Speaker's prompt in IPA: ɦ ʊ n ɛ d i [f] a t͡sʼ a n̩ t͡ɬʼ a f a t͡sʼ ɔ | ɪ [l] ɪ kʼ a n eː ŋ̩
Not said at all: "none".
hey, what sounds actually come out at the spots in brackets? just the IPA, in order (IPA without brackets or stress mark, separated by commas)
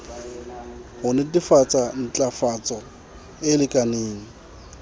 f, l